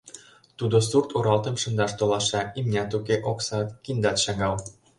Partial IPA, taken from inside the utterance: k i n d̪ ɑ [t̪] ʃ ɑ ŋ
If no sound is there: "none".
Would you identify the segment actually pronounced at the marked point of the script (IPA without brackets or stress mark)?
t̪